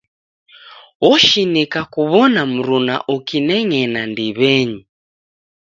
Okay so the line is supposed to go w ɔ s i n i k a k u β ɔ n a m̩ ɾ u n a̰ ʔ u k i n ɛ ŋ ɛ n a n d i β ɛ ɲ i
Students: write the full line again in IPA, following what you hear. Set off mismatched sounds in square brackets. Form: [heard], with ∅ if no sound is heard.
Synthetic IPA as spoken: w ɔ [ʃ] i n i k a k u β ɔ n a m̩ ɾ u n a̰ ʔ u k i n ɛ ŋ ɛ n a n d i β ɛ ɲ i